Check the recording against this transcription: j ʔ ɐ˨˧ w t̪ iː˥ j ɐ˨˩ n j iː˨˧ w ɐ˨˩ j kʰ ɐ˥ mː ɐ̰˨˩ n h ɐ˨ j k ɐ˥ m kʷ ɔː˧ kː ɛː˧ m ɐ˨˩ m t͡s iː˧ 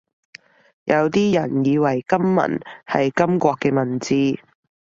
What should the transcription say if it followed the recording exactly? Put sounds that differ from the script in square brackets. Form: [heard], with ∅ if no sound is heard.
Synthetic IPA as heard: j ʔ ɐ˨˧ w t̪ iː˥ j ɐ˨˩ n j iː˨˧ w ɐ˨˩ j [k] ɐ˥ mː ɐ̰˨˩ n h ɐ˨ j k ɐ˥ m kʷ ɔː˧ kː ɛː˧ m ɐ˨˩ [n] t͡s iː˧